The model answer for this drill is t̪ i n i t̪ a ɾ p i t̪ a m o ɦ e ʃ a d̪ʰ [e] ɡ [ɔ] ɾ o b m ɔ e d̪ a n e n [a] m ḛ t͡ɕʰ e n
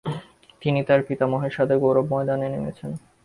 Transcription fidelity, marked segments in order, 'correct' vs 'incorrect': correct, incorrect: o, incorrect: e

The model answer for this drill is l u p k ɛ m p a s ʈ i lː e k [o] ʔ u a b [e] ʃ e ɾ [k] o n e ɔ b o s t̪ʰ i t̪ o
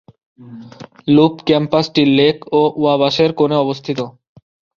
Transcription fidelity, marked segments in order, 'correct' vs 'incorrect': correct, incorrect: a, correct

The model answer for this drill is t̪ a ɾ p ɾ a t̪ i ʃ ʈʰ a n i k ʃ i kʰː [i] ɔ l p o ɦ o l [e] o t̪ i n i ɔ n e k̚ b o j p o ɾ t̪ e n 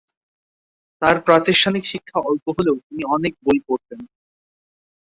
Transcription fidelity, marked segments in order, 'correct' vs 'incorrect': incorrect: a, correct

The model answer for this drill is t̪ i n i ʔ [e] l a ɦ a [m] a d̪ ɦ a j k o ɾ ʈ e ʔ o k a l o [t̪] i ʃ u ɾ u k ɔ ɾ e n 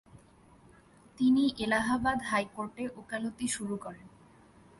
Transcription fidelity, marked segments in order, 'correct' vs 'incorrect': correct, incorrect: b, correct

